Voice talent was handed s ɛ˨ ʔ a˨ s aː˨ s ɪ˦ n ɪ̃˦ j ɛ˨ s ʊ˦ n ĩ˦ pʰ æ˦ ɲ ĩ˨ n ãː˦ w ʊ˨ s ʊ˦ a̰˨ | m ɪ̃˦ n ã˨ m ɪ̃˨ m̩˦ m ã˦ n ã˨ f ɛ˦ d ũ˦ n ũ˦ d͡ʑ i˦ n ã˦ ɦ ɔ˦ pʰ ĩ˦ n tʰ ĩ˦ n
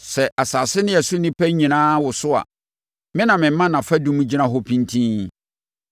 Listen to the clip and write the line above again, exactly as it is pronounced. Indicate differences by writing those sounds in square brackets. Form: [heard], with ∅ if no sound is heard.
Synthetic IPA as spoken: s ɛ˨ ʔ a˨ s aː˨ s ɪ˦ n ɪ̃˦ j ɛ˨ s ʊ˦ n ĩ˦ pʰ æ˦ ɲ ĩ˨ n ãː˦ w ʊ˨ s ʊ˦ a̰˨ | m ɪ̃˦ n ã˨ m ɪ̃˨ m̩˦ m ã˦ n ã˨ f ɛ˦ d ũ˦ [m] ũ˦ d͡ʑ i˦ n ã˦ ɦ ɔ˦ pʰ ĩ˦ n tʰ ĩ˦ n